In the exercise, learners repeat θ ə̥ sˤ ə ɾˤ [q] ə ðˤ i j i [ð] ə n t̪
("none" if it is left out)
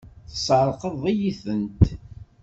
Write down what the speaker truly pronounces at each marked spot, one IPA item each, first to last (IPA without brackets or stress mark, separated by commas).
q, θ